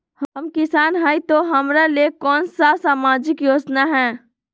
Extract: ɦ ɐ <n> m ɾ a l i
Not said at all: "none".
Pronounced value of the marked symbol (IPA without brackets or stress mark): none